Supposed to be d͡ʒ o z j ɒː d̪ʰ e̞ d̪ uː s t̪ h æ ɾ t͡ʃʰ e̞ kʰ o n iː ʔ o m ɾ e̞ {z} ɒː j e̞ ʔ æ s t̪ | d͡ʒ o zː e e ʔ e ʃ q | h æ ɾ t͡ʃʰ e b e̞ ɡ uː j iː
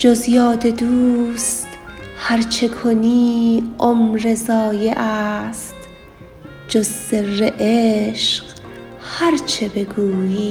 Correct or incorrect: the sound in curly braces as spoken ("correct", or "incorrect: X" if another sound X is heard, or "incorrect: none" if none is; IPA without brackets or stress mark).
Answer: correct